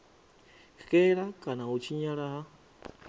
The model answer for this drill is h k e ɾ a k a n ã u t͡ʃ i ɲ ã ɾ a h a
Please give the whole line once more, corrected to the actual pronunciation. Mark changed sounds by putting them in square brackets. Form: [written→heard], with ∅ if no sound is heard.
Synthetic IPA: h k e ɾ a k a n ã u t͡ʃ i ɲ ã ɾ a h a